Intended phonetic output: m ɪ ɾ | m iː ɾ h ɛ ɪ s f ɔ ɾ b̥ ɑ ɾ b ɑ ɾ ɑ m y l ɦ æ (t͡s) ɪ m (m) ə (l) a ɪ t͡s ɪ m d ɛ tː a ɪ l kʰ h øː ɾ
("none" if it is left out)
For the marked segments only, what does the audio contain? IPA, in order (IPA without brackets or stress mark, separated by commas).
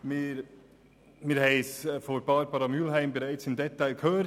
none, b, ɾ